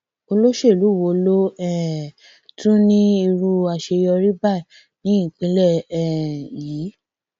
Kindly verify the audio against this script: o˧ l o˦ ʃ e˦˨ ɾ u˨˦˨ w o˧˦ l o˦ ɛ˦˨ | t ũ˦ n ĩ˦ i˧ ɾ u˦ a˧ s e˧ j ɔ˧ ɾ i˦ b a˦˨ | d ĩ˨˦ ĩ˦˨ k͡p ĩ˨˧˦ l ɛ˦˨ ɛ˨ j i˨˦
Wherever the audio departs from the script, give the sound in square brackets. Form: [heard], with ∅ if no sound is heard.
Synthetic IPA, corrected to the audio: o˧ l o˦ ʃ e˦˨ [l] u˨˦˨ w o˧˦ l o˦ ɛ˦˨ | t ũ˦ n ĩ˦ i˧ ɾ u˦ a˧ [ʃ] e˧ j ɔ˧ ɾ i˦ b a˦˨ | [n] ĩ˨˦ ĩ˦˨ k͡p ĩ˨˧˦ l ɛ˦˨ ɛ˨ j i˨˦